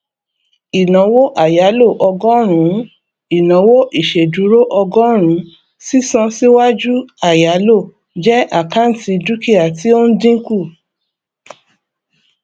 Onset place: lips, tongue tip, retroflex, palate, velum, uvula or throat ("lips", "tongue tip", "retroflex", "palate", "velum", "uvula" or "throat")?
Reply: tongue tip